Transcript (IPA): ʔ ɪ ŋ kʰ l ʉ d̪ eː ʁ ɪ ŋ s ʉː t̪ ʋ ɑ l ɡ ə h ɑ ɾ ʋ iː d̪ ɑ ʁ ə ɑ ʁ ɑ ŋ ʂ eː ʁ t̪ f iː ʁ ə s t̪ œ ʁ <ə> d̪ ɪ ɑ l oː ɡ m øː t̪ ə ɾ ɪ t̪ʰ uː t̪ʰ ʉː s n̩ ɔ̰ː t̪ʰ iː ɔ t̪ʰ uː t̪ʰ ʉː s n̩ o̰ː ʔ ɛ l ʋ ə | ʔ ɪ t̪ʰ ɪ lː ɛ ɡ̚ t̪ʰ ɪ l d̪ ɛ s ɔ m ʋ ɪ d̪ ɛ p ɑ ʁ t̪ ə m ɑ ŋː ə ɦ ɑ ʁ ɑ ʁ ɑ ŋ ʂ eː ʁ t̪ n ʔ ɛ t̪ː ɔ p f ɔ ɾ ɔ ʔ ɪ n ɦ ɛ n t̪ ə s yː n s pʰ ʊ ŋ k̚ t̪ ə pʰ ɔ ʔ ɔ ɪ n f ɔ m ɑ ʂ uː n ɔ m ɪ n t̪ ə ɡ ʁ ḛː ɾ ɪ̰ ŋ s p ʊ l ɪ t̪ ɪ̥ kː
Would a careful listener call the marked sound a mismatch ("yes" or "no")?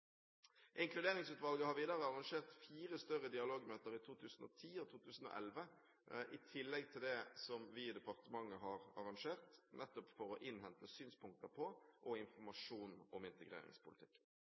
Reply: no